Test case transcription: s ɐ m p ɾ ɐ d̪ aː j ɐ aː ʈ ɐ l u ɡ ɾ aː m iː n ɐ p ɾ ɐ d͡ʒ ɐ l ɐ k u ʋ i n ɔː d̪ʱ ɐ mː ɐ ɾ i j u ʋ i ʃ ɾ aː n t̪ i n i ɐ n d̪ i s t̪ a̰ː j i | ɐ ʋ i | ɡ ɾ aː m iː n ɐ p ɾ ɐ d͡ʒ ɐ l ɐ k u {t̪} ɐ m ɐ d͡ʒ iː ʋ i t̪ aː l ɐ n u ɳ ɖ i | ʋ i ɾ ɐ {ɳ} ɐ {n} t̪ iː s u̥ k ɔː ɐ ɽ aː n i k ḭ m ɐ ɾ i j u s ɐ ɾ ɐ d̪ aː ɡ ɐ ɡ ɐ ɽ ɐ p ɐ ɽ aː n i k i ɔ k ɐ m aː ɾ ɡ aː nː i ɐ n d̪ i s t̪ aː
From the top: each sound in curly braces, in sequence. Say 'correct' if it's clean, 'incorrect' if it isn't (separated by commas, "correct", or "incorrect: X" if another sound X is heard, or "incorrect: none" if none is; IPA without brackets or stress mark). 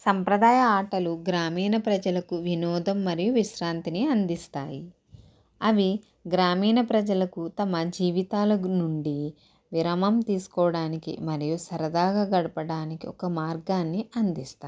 correct, incorrect: m, incorrect: m